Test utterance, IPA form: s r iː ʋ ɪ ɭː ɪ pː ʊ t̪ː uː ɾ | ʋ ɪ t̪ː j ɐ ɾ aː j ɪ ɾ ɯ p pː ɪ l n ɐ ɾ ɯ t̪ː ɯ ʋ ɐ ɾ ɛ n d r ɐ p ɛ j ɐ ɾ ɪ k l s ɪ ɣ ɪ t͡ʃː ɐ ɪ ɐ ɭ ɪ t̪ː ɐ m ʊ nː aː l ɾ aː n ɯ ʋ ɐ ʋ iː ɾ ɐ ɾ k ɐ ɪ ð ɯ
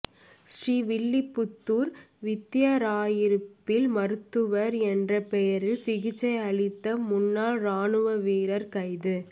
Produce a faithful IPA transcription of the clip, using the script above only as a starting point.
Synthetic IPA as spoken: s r iː ʋ ɪ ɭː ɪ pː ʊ t̪ː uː ɾ | ʋ ɪ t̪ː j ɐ ɾ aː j ɪ ɾ ɯ p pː ɪ l m ɐ ɾ ɯ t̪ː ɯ ʋ ɐ ɾ ɛ n d r ɐ p ɛ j ɐ ɾ ɪ l s ɪ ɣ ɪ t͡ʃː ɐ ɪ ɐ ɭ ɪ t̪ː ɐ m ʊ nː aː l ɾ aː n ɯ ʋ ɐ ʋ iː ɾ ɐ ɾ k ɐ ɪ ð ɯ